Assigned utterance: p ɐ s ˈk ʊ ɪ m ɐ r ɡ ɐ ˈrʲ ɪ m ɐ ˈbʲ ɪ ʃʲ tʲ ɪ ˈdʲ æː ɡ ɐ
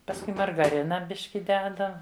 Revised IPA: p ɐ s ˈk ʊ ɪ m ɐ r ɡ ɐ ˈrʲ ɪ n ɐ ˈbʲ ɪ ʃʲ kʲ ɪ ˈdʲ æː d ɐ